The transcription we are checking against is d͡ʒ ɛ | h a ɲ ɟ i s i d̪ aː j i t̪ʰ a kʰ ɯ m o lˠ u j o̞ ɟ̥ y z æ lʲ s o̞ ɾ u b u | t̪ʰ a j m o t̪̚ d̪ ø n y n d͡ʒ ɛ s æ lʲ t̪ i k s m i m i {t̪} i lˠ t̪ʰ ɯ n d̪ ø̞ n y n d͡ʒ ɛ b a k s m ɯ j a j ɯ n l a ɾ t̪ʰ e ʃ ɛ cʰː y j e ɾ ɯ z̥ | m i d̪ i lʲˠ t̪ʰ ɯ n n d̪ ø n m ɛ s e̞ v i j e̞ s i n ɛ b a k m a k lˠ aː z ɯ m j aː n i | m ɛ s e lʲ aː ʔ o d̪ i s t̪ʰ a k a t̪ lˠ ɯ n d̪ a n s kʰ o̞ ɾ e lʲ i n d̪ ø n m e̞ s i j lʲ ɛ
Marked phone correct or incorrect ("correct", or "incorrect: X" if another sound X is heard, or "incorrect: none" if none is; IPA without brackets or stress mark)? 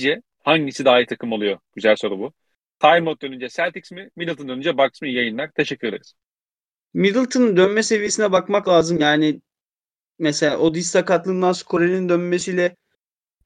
incorrect: d̪